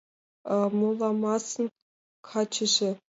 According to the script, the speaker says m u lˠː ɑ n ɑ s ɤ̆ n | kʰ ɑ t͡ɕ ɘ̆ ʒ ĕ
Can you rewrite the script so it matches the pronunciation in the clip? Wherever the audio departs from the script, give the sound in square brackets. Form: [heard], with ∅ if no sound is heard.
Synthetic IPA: m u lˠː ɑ [m] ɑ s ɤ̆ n | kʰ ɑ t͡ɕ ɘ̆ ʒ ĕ